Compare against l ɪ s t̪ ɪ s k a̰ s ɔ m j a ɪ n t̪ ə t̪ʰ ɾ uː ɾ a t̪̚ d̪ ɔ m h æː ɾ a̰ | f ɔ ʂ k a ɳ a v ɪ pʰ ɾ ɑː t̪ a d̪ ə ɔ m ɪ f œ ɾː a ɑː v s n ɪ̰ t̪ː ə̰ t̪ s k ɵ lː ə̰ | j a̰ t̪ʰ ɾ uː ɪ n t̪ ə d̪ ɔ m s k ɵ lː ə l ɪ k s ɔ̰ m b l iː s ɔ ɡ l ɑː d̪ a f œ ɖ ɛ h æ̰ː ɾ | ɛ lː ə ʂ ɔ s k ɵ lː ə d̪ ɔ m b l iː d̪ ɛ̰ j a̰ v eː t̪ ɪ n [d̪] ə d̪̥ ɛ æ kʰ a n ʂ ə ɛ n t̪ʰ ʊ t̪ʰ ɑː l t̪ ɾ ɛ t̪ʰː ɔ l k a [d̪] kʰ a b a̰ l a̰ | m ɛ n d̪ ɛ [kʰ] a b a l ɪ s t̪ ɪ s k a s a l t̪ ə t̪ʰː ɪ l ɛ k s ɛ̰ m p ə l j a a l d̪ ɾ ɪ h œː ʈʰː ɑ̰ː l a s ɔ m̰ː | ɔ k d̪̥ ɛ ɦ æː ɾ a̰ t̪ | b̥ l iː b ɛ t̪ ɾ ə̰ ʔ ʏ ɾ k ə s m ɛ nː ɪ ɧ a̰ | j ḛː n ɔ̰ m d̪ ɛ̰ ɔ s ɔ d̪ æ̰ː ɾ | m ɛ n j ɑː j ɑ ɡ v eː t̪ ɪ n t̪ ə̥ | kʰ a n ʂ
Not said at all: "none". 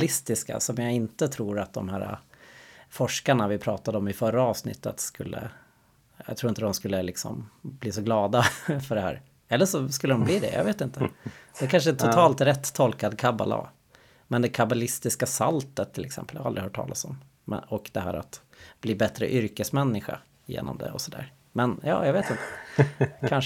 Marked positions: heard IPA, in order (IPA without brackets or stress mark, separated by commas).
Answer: t̪, d̪, kʰ